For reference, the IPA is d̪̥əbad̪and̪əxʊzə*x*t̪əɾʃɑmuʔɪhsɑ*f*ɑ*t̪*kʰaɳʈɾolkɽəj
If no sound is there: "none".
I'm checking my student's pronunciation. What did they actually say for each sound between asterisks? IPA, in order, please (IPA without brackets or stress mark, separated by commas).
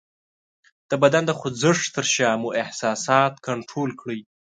ʂ, s, t̪